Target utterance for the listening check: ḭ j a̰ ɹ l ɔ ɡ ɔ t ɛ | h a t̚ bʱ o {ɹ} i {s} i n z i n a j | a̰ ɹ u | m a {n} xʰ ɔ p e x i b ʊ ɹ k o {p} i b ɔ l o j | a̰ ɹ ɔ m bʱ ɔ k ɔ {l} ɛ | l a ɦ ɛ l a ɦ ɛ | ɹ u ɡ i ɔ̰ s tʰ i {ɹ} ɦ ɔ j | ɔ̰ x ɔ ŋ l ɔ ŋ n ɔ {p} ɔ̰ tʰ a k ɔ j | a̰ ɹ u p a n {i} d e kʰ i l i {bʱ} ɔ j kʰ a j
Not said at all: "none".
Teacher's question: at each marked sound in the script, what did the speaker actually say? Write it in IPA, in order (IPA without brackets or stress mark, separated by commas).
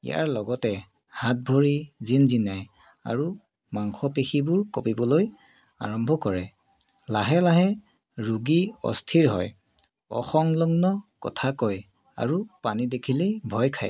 ɹ, z, ŋ, p, ɹ, ɹ, k, i, bʱ